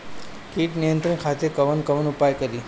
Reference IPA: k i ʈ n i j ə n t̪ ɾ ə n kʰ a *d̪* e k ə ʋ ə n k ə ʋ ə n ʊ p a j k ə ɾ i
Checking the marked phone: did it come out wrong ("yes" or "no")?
yes